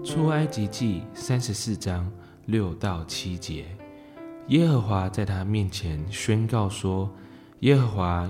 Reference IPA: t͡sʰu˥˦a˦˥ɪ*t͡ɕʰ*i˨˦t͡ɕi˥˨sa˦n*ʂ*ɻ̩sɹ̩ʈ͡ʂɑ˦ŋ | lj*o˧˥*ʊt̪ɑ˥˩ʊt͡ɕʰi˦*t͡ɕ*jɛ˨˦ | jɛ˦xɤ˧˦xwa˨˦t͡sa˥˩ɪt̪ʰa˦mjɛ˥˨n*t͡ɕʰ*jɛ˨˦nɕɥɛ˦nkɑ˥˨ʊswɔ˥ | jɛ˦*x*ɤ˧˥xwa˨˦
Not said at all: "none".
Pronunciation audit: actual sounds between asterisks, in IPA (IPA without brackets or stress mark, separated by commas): t͡ɕ, ʂ, o˥˨, t͡ɕ, t͡ɕʰ, x